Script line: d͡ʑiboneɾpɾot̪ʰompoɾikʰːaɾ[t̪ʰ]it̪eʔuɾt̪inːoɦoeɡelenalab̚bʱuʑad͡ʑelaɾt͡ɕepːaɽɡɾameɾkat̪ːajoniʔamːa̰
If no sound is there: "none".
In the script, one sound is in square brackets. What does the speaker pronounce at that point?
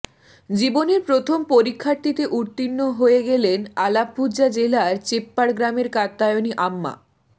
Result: t̪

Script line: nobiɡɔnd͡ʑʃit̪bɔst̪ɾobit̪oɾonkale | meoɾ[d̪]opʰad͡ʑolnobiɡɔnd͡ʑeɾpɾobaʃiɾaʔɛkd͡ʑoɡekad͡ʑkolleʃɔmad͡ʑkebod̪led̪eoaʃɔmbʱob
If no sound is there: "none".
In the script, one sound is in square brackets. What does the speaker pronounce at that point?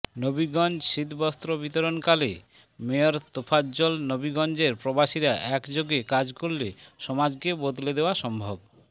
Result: t̪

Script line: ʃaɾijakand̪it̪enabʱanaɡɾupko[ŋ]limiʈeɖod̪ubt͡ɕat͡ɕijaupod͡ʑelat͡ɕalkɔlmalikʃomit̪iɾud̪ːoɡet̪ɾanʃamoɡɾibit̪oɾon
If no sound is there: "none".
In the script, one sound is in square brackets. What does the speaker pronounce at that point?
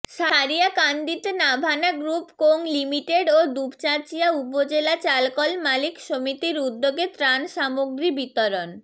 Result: ŋ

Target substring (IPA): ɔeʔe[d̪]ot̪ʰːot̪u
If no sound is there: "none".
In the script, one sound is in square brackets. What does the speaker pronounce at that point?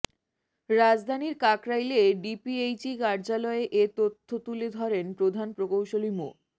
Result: t̪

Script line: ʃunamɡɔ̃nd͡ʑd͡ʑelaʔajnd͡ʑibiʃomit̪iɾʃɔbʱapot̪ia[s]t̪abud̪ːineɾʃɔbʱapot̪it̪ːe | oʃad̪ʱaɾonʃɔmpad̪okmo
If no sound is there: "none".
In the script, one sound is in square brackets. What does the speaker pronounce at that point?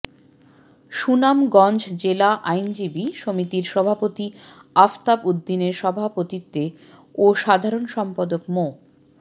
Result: f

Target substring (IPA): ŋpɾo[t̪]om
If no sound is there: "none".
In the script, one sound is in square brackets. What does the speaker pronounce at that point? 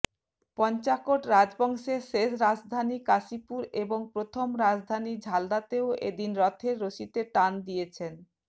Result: t̪ʰ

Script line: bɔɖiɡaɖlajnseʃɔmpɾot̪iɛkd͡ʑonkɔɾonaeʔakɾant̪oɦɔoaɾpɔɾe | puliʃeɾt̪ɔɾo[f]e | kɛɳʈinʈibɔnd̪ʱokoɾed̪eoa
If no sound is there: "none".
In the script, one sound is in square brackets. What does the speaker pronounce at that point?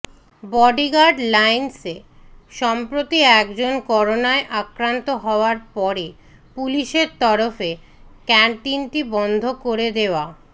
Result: f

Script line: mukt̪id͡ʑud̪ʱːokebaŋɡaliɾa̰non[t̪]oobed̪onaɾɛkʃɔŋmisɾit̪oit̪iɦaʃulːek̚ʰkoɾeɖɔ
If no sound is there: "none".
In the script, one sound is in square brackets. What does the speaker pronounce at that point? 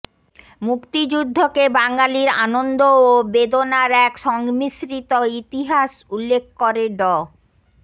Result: d̪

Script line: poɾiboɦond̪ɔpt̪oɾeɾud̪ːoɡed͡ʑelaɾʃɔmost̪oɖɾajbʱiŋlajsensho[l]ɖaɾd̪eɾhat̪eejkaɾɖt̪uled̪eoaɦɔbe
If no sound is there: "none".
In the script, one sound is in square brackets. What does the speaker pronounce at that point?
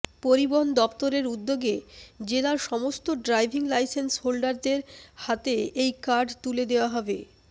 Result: l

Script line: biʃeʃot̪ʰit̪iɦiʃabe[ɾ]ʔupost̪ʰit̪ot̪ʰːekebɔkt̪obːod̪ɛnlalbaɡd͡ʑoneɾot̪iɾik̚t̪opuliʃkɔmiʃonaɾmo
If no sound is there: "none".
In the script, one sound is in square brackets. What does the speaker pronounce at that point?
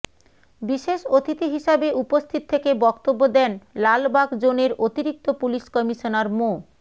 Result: none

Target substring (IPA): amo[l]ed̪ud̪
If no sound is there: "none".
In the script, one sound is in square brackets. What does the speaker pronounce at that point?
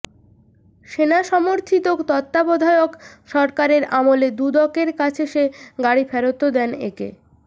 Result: l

